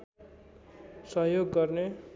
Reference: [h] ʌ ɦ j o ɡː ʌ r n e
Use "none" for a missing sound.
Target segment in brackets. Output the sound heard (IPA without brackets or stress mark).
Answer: s